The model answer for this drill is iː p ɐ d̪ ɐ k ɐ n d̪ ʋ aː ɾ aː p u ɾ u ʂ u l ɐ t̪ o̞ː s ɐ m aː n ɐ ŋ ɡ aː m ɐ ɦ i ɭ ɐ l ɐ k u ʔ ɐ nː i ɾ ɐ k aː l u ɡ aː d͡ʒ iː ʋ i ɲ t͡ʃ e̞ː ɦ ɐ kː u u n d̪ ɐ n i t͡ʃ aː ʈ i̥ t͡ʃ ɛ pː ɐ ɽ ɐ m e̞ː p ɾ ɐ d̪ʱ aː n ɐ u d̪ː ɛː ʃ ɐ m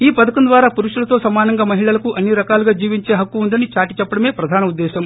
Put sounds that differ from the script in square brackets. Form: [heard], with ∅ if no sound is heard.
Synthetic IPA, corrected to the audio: iː p ɐ d̪ ɐ k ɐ n d̪ ʋ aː ɾ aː p u ɾ u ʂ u l ɐ t̪ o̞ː s ɐ m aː n ɐ ŋ ɡ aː m ɐ ɦ i ɭ ɐ l ɐ k u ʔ ɐ nː i ɾ ɐ k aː l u ɡ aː d͡ʒ iː ʋ i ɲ t͡ʃ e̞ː ɦ ɐ kː u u n d̪ ɐ n i t͡ʃ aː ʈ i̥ t͡ʃ ɛ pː ɐ ɽ ɐ m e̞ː p ɾ ɐ d̪ʱ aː n ɐ u d̪ː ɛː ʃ ɐ m

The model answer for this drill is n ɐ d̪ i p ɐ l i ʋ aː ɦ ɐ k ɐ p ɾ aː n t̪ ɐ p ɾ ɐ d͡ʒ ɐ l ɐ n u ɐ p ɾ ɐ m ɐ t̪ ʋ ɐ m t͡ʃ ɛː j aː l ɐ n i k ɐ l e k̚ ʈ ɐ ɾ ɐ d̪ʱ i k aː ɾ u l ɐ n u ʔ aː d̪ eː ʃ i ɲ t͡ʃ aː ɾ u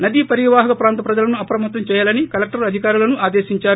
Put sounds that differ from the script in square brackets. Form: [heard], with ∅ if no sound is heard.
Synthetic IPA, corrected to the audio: n ɐ d̪ i p ɐ [ɾ] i ʋ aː ɦ ɐ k ɐ p ɾ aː n t̪ ɐ p ɾ ɐ d͡ʒ ɐ l ɐ n u ɐ p ɾ ɐ m ɐ t̪ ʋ ɐ m t͡ʃ ɛː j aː l ɐ n i k ɐ l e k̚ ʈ ɐ ɾ ɐ d̪ʱ i k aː ɾ u l ɐ n u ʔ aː d̪ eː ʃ i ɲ t͡ʃ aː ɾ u

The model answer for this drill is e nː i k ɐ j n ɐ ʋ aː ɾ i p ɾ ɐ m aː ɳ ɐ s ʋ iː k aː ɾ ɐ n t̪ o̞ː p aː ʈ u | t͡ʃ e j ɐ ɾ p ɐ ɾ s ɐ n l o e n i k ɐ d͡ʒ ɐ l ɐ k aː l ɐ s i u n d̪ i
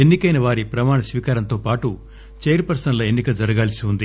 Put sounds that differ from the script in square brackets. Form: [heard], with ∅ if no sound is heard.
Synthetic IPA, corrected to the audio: e nː i k ɐ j n ɐ ʋ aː ɾ i p ɾ ɐ m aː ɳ ɐ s ʋ iː k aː ɾ ɐ n t̪ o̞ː p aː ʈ u | t͡ʃ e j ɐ ɾ p ɐ ɾ s ɐ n l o e [nː] i k ɐ d͡ʒ ɐ [ɾ] ɐ [ɡ] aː l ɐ s i u n d̪ i

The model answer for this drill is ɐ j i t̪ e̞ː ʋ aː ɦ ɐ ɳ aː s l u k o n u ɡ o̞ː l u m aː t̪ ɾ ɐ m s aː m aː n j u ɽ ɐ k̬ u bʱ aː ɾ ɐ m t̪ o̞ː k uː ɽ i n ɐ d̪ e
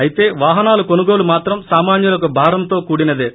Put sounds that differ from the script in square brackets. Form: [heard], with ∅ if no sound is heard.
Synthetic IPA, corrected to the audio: ɐ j i t̪ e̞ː ʋ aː ɦ ɐ [n] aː [∅] l u k o n u ɡ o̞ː l u m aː t̪ ɾ ɐ m s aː m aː n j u [l] ɐ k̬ u bʱ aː ɾ ɐ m t̪ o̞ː k uː ɽ i n ɐ d̪ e

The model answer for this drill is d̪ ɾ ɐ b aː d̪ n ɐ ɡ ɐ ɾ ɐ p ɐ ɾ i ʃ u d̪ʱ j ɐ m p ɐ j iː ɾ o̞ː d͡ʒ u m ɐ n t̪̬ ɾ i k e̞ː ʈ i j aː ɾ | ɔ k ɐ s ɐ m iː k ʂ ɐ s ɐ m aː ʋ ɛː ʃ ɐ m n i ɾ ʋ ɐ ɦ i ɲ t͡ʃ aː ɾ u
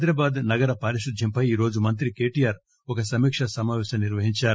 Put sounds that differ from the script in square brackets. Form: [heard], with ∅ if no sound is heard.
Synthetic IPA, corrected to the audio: d̪ ɾ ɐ b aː d̪ n ɐ ɡ ɐ ɾ ɐ p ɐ ɾ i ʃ u d̪ʱ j ɐ m p ɐ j iː ɾ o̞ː d͡ʒ u m ɐ n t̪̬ ɾ i k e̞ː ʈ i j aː ɾ | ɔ k ɐ s ɐ m iː k ʂ ɐ s ɐ m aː ʋ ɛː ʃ ɐ m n i ɾ ʋ ɐ ɦ i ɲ t͡ʃ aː ɾ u

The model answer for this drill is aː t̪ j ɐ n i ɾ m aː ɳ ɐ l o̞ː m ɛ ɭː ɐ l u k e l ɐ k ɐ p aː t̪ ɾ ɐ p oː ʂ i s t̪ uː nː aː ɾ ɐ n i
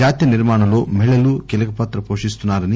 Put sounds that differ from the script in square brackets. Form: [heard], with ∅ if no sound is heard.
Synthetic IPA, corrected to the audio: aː t̪ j ɐ n i ɾ m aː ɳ ɐ l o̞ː m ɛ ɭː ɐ l u k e l ɐ k ɐ p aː t̪ ɾ ɐ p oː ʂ i s t̪ [u] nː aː ɾ ɐ n i

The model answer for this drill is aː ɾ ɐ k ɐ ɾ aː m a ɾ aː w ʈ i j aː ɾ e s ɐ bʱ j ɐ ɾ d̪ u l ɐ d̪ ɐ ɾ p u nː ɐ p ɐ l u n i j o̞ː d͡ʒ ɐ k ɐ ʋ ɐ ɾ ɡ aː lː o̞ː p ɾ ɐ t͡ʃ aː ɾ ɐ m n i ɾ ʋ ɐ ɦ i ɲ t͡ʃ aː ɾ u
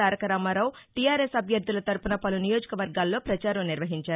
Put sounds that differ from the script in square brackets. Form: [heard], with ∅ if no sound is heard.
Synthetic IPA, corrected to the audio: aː ɾ ɐ k ɐ ɾ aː m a ɾ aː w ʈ i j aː ɾ e s ɐ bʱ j ɐ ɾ d̪ u l ɐ [t̪] ɐ ɾ p u [n] ɐ p ɐ l u n i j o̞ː d͡ʒ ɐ k ɐ ʋ ɐ ɾ ɡ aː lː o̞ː p ɾ ɐ t͡ʃ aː ɾ ɐ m n i ɾ ʋ ɐ ɦ i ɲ t͡ʃ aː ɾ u

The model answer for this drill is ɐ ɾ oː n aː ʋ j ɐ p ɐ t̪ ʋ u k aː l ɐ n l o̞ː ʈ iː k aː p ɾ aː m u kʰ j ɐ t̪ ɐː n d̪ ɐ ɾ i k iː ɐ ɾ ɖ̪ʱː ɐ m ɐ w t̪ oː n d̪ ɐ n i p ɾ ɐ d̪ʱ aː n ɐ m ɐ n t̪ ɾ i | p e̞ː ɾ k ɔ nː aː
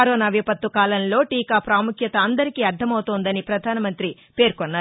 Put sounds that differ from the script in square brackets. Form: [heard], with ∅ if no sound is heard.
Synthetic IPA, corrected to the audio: ɐ ɾ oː n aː ʋ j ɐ p ɐ t̪ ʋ u k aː l ɐ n l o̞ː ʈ iː k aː p ɾ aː m u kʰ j ɐ t̪ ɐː n d̪ ɐ ɾ i k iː ɐ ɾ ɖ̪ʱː ɐ m ɐ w t̪ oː n d̪ ɐ n i p ɾ ɐ d̪ʱ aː n ɐ m ɐ n t̪ ɾ i | p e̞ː ɾ k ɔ nː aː

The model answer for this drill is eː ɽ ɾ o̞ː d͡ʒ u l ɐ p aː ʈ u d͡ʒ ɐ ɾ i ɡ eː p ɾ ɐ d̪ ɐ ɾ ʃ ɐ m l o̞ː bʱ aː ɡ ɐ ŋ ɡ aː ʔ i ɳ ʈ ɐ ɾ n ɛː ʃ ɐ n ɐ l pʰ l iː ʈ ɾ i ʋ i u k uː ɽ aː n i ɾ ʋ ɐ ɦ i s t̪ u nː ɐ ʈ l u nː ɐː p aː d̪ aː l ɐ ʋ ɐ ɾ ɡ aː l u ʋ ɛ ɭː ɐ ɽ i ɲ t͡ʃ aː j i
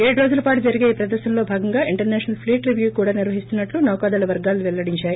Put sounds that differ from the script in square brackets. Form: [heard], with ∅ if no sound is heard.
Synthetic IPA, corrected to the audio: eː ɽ ɾ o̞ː d͡ʒ u l ɐ p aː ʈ u d͡ʒ ɐ ɾ i ɡ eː p ɾ ɐ d̪ ɐ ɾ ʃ ɐ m l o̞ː bʱ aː ɡ ɐ ŋ ɡ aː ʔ i ɳ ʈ ɐ ɾ n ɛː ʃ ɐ n ɐ l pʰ l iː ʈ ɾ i ʋ [j] u k uː ɽ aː n i ɾ ʋ ɐ ɦ i s t̪ u nː ɐ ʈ l u [n] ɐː [k] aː d̪ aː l ɐ ʋ ɐ ɾ ɡ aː l u ʋ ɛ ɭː ɐ ɽ i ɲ t͡ʃ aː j i

